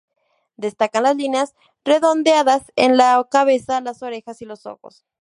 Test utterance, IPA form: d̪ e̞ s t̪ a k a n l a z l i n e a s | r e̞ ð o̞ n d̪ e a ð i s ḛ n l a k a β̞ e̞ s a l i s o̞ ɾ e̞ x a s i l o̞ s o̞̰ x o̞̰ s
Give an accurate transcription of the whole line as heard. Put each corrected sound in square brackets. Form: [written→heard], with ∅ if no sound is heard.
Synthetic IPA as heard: d̪ e̞ s t̪ a k a n l a z l i n e a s | r e̞ ð o̞ n d̪ e a ð [i→a] s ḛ n l a k a β̞ e̞ s a l [i→a] s o̞ ɾ e̞ x a s i l o̞ s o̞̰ x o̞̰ s